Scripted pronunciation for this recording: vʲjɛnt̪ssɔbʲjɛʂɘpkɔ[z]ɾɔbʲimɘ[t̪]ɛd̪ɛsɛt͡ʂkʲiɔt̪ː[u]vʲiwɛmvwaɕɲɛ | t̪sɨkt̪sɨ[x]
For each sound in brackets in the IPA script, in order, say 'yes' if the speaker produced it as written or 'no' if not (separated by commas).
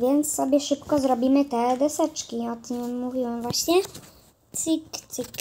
yes, yes, yes, no